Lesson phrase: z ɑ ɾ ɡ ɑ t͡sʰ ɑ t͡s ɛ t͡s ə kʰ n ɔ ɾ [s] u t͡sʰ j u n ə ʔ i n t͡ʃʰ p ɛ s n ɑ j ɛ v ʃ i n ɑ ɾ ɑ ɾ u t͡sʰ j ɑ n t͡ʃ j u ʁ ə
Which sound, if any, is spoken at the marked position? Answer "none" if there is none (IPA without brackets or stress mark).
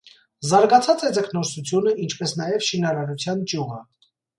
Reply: s